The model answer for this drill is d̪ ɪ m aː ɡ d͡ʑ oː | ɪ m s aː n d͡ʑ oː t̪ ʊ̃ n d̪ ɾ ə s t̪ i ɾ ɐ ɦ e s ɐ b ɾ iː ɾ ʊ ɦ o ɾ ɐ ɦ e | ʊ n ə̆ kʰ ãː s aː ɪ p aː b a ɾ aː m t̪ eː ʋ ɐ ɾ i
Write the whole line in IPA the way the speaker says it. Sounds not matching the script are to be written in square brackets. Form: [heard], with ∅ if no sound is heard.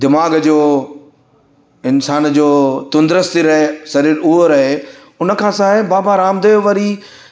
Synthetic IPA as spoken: d̪ ɪ m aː ɡ d͡ʑ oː | ɪ [n] s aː n d͡ʑ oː t̪ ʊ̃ n d̪ ɾ ə s t̪ i ɾ ɐ ɦ e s ɐ [∅] ɾ iː ɾ ʊ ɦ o ɾ ɐ ɦ e | ʊ n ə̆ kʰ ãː s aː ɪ [b] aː b a ɾ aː m [d̪] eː ʋ ɐ ɾ i

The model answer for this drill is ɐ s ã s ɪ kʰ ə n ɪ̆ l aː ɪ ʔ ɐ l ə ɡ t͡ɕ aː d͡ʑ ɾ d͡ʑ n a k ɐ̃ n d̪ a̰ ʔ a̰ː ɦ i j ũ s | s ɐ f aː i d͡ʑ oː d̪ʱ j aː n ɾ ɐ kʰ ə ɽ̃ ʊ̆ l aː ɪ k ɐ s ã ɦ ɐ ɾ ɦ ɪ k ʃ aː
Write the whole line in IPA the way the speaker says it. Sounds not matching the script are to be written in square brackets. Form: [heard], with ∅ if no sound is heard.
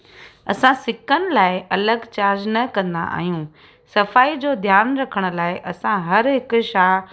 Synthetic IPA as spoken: ɐ s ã s ɪ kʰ ə n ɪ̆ l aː ɪ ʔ ɐ l ə ɡ t͡ɕ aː [∅] ɾ d͡ʑ n [ɐ] k ɐ̃ n d̪ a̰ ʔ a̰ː ɦ i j ũ [∅] | s ɐ f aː i d͡ʑ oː d̪ʱ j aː n ɾ ɐ kʰ ə ɽ̃ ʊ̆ l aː ɪ [ʔ] ɐ s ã ɦ ɐ ɾ ɦ ɪ k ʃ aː

